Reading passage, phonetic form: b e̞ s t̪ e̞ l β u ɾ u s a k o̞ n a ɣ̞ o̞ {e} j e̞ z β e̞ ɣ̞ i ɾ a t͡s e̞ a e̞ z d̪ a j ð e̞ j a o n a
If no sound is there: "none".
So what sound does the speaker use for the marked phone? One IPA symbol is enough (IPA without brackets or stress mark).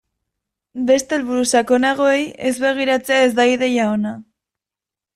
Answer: e